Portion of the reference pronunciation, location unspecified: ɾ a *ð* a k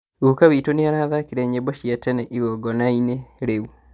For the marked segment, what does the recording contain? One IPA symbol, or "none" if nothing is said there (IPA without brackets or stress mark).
ð